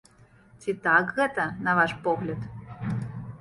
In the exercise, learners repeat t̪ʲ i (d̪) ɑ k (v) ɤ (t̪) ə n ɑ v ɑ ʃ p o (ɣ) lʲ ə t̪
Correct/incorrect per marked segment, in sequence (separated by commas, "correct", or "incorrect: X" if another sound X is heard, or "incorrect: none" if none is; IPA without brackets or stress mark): incorrect: t̪, incorrect: ɣ, correct, correct